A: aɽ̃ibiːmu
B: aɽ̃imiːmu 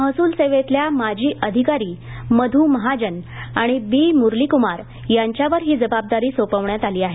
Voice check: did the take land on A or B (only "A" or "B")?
A